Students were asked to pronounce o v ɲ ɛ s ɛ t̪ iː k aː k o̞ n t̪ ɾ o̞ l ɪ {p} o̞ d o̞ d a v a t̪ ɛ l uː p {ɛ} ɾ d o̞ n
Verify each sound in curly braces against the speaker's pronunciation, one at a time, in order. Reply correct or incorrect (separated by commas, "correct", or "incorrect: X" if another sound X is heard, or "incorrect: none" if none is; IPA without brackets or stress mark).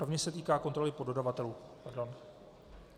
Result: correct, incorrect: a